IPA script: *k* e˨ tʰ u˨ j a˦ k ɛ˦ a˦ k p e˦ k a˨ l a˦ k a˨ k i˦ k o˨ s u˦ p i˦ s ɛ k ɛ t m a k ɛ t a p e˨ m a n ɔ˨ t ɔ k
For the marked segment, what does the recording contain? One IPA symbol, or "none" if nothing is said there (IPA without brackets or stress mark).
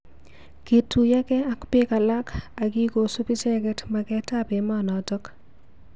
k